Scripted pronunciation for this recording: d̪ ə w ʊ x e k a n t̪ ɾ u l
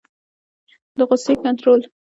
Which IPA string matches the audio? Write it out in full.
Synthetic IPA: d̪ ə ɣ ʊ s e k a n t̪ ɾ o l